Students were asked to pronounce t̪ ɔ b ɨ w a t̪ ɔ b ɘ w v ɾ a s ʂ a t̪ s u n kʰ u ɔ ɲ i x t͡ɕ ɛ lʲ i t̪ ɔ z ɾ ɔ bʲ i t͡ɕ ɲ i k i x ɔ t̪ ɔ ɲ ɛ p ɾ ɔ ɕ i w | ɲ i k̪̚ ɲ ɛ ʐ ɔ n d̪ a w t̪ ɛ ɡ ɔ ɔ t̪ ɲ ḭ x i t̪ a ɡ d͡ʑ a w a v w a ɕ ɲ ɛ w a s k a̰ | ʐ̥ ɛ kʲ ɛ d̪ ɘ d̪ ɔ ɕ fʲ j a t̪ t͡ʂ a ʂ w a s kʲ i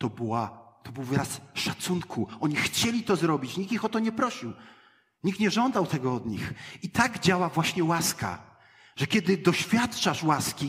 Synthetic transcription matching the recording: t̪ ɔ b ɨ w a t̪ ɔ b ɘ w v ɾ a s ʂ a t̪ s u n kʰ u ɔ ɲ i x t͡ɕ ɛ lʲ i t̪ ɔ z ɾ ɔ bʲ i t͡ɕ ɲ i k i x ɔ t̪ ɔ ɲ ɛ p ɾ ɔ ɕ i w | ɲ i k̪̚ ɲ ɛ ʐ ɔ n d̪ a w t̪ ɛ ɡ ɔ ɔ d̪ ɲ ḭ x i t̪ a ɡ d͡ʑ a w a v w a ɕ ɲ ɛ w a s k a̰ | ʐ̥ ɛ kʲ ɛ d̪ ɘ d̪ ɔ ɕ fʲ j a t̪ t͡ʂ a ʂ w a s kʲ i